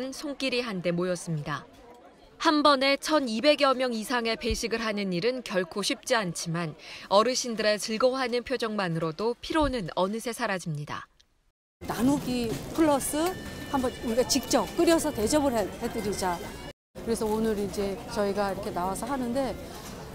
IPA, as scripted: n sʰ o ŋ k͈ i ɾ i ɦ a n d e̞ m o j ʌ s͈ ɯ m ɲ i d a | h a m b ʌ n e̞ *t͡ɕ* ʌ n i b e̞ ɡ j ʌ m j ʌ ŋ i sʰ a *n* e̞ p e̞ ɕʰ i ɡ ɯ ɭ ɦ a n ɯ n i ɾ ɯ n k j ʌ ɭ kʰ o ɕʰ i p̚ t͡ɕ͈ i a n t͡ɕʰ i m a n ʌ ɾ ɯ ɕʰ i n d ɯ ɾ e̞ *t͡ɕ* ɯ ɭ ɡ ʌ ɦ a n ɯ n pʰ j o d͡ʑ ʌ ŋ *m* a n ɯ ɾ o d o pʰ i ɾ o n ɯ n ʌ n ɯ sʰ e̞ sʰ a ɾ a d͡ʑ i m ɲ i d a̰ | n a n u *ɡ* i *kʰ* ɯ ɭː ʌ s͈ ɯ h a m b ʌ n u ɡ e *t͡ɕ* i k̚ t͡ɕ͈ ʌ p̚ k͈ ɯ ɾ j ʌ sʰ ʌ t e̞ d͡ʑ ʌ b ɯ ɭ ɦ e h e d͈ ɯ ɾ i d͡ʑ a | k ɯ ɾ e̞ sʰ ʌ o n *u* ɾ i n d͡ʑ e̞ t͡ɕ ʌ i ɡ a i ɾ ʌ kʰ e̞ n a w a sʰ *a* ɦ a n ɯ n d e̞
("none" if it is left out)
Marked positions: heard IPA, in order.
t͡ɕʰ, ŋ, t͡ɕ, m, ɡ, pʰ, t͡ɕ, ɯ, ʌ

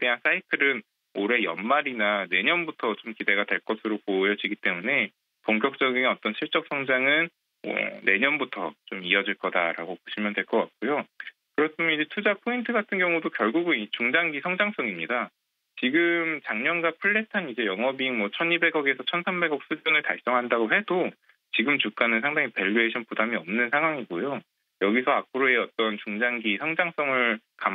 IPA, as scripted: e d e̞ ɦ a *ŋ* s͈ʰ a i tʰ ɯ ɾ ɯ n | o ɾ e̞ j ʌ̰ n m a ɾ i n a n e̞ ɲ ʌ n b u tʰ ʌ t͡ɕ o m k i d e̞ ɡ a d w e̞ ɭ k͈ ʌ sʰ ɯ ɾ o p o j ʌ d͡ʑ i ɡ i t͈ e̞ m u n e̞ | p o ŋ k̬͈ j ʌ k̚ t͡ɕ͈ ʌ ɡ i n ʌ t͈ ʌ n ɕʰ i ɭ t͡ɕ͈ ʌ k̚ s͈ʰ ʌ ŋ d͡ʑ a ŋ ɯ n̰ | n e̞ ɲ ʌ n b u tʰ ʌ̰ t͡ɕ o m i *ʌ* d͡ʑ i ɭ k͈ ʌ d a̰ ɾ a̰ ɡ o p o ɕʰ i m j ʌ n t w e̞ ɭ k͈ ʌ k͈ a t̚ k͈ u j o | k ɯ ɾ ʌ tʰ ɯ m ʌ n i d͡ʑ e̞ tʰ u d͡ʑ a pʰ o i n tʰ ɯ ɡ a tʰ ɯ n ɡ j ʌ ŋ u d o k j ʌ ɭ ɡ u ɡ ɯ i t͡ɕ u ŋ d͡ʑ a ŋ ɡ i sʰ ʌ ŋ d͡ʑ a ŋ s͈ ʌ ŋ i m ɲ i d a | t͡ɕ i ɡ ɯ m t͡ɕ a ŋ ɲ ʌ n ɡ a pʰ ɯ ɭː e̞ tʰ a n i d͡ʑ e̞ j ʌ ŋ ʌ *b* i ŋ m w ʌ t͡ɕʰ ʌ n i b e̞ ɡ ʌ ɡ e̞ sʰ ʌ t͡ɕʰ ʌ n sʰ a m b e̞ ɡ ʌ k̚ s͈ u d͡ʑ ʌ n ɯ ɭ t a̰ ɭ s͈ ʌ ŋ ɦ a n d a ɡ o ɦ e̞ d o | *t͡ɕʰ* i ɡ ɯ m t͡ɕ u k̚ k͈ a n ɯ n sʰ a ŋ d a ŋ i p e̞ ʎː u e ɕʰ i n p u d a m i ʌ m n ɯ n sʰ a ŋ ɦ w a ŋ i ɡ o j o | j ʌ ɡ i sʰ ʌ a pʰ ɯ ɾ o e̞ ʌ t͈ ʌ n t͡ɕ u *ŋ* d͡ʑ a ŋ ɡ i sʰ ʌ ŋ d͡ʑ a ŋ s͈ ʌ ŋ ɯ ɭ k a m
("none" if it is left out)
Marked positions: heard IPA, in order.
n, ʌ, b, t͡ɕ, ŋ

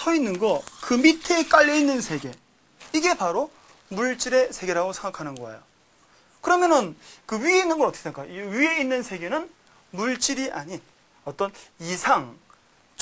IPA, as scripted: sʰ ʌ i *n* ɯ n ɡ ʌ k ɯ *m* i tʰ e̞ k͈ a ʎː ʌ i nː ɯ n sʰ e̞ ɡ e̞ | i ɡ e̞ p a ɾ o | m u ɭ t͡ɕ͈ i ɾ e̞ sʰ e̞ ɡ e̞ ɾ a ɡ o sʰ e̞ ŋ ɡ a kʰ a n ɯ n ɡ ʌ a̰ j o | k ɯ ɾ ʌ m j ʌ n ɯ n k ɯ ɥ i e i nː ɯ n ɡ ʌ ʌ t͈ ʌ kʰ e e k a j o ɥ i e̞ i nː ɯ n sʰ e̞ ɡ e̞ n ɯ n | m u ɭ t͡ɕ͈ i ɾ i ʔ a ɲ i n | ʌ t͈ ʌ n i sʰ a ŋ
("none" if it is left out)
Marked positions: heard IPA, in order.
nː, m

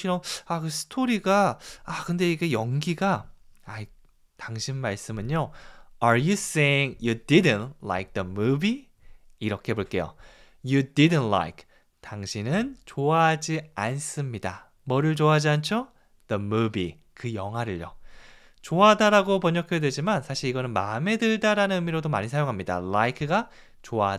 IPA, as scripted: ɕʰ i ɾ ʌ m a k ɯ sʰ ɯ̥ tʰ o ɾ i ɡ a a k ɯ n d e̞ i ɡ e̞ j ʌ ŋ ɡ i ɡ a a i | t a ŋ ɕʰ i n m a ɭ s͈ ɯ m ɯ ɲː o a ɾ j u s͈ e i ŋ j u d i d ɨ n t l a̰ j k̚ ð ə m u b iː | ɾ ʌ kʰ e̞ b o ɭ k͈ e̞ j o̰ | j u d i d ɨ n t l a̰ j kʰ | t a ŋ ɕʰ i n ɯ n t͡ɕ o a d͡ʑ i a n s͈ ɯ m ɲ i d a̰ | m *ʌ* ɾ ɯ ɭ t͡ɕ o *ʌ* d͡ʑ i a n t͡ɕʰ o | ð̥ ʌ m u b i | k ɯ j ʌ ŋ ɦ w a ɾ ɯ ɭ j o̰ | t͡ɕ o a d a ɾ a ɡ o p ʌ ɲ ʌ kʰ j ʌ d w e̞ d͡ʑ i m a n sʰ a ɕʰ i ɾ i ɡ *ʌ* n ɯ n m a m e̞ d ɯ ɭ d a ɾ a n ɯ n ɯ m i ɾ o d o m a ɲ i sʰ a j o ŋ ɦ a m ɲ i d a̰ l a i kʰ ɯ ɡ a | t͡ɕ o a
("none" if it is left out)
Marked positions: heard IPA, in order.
ʌ, a, ʌ

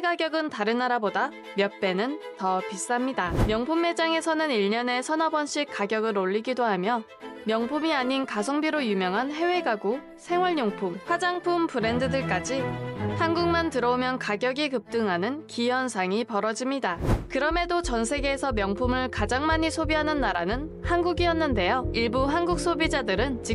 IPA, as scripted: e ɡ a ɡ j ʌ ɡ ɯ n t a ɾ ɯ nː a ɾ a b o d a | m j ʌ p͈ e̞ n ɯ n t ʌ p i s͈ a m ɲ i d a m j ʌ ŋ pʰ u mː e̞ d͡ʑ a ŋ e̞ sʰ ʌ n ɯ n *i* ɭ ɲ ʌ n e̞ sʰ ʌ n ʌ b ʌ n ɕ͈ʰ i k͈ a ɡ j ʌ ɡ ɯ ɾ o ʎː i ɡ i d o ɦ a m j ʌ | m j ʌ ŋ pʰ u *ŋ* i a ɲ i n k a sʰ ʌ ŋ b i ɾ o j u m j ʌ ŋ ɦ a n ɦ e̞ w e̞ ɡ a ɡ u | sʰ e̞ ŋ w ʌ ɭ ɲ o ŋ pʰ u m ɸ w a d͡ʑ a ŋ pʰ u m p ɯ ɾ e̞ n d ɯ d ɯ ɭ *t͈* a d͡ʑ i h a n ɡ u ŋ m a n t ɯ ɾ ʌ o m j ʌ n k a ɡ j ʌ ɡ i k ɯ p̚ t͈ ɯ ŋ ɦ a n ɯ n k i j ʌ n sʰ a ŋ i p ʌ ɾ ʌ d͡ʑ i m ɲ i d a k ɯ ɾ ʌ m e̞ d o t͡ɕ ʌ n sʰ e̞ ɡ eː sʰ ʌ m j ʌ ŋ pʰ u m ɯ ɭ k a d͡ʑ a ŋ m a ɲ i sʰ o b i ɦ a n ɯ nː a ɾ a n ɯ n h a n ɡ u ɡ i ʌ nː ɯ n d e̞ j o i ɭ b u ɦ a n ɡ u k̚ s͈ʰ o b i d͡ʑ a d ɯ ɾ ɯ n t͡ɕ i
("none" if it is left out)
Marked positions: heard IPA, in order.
i, m, k͈

